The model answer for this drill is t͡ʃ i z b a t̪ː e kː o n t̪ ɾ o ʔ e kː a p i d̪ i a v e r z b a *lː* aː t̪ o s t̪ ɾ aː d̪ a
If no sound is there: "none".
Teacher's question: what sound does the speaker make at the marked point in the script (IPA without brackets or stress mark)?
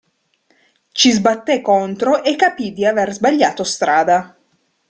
ʎː